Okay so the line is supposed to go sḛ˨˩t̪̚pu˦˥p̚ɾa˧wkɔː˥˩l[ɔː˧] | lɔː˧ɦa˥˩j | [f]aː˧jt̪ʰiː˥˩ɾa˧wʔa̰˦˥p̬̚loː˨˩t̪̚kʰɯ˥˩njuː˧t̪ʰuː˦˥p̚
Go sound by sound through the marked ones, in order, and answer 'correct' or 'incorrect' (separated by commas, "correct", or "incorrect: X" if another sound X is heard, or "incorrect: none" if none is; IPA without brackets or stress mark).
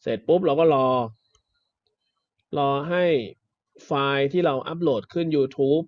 correct, correct